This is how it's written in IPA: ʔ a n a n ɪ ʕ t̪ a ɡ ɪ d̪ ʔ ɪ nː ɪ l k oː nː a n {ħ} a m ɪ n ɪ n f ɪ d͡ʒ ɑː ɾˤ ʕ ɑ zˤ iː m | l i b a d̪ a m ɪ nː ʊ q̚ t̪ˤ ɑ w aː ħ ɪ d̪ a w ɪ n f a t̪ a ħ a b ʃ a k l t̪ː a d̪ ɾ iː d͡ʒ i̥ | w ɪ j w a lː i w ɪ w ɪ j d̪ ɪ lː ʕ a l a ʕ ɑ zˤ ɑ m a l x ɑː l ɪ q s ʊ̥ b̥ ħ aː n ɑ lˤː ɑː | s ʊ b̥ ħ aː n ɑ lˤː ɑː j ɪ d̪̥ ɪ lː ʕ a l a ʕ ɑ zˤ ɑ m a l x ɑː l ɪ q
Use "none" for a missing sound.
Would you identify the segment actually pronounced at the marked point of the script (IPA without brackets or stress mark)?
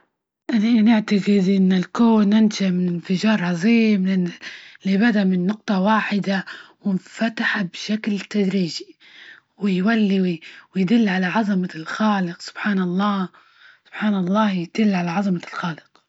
ʃ